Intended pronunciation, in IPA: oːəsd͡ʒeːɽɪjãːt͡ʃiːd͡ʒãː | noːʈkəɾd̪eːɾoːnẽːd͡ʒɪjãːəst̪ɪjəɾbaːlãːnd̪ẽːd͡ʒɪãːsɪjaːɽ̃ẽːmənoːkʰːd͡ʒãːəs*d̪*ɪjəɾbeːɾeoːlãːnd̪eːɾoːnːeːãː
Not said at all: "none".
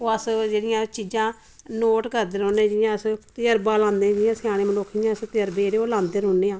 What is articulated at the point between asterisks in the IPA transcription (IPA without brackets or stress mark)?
t̪